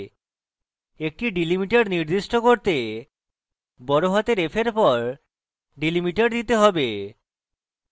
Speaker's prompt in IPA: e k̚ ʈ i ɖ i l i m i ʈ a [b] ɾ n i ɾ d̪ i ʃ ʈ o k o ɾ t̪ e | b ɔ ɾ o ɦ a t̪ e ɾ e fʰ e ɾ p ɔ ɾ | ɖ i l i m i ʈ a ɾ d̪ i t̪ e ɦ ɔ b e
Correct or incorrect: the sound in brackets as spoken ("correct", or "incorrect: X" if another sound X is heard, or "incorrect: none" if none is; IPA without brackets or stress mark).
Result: incorrect: none